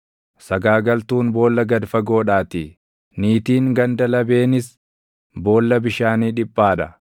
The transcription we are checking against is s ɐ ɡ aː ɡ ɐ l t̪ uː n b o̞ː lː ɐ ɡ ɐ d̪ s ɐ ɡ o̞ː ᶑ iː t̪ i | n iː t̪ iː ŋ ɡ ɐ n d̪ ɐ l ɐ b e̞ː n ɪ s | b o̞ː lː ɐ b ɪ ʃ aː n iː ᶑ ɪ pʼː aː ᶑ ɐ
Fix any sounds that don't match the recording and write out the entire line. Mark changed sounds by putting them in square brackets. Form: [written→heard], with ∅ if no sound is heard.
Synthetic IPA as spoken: s ɐ ɡ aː ɡ ɐ l t̪ uː n b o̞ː lː ɐ ɡ ɐ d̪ [s→f] ɐ ɡ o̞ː ᶑ [iː→aː] t̪ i | n iː t̪ iː ŋ ɡ ɐ n d̪ ɐ l ɐ b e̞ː n ɪ s | b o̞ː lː ɐ b ɪ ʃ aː n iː ᶑ ɪ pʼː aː ᶑ ɐ